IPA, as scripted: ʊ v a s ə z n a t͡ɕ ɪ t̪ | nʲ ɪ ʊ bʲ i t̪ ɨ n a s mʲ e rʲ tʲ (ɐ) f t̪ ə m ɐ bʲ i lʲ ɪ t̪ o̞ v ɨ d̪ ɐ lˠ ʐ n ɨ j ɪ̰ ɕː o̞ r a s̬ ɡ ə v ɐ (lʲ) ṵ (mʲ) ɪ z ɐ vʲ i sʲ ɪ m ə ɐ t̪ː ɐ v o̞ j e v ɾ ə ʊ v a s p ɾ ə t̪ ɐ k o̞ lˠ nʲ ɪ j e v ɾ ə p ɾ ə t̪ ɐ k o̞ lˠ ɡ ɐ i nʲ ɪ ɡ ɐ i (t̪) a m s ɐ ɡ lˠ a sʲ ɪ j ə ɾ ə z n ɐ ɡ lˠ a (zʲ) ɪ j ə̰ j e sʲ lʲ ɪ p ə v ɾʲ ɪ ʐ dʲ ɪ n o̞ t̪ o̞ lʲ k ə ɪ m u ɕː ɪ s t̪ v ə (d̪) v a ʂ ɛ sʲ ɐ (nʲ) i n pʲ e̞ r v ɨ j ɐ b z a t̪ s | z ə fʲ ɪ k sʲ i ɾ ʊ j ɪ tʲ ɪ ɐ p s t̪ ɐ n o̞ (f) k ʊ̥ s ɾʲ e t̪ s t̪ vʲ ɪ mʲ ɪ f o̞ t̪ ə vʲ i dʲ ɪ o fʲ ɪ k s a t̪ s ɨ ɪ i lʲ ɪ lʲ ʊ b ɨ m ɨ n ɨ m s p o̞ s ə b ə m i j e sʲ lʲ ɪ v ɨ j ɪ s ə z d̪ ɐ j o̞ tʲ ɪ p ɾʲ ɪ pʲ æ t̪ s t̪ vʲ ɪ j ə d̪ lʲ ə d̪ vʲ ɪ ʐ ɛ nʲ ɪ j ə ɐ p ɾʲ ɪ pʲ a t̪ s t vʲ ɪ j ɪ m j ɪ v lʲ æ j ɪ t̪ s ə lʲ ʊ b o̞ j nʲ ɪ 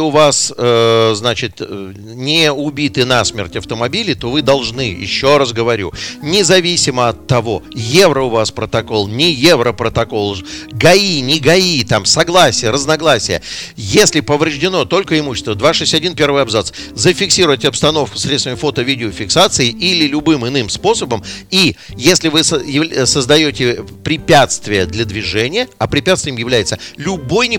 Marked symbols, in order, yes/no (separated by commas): yes, no, no, yes, no, yes, no, yes